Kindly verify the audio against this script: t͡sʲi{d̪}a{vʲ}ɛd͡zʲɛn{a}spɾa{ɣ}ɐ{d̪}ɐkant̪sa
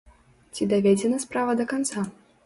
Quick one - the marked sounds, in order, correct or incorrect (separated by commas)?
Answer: correct, correct, incorrect, incorrect, correct